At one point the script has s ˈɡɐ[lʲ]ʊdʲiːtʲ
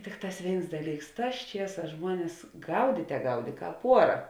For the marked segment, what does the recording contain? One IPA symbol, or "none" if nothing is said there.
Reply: none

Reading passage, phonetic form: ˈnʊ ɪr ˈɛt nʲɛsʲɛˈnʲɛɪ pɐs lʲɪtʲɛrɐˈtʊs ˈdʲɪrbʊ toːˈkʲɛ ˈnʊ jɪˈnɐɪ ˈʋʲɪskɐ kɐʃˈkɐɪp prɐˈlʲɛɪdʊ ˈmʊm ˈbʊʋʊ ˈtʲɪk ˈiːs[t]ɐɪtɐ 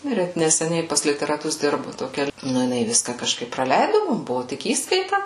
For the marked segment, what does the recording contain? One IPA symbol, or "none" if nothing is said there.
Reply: k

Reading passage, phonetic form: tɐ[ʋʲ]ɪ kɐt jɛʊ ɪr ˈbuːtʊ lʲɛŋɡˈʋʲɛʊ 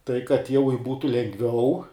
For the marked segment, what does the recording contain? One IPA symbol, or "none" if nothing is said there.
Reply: none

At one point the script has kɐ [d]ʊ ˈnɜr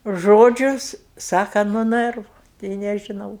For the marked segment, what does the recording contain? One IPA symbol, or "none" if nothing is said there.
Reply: n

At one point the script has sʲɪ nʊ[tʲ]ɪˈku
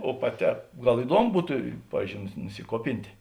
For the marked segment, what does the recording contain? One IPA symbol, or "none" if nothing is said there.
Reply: sʲ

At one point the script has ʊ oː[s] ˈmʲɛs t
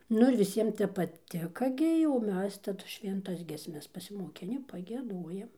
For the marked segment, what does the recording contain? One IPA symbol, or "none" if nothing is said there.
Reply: none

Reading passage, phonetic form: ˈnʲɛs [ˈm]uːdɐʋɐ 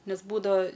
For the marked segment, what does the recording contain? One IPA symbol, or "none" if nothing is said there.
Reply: b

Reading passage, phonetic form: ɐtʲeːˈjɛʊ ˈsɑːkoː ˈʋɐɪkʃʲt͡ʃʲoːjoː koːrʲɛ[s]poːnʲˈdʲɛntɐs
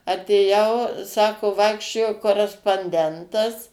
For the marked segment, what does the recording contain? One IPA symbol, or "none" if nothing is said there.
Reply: s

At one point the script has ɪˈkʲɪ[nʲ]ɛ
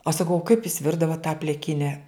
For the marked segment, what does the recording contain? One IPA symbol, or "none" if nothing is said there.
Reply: nʲ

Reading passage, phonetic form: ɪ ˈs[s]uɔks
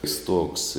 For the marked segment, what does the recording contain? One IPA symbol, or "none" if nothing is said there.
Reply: t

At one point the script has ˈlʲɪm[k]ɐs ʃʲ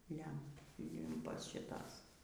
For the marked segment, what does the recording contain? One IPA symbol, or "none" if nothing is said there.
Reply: p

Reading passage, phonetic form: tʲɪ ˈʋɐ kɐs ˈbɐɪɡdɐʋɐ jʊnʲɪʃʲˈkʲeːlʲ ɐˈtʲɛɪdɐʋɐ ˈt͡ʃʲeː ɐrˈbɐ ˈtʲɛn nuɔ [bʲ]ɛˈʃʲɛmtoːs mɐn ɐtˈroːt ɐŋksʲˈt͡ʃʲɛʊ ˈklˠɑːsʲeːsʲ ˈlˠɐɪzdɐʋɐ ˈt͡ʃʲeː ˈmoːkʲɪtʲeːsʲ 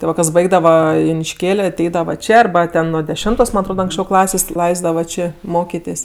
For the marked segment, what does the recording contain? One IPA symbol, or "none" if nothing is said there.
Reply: dʲ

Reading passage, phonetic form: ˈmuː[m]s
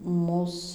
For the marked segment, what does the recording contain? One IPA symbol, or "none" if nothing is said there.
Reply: none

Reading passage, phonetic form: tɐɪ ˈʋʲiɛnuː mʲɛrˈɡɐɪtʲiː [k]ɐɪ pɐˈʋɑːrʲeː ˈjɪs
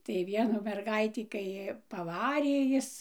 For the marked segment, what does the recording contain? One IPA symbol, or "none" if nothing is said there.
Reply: k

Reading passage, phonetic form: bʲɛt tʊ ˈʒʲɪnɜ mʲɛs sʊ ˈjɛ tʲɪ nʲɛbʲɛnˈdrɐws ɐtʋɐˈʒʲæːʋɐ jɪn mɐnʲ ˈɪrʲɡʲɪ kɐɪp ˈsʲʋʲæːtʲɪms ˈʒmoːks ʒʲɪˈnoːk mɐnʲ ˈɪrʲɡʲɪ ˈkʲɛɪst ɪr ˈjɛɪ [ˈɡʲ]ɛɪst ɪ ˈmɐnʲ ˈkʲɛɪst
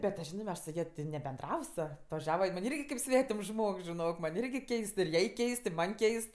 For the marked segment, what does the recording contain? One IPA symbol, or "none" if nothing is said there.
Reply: kʲ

